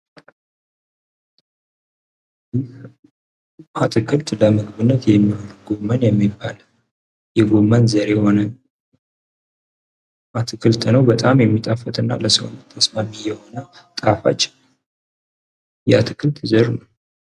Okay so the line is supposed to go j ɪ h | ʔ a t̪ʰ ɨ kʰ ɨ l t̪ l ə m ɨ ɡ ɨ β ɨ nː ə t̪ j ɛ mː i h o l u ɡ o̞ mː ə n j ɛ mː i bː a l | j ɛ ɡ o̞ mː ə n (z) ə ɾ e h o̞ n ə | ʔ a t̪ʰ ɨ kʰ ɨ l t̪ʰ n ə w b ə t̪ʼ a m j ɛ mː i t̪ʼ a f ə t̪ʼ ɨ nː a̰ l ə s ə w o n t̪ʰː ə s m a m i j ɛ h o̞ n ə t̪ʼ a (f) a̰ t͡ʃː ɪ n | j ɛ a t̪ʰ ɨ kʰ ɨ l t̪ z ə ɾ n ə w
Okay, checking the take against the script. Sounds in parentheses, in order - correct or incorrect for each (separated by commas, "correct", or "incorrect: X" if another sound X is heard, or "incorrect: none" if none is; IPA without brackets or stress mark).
correct, correct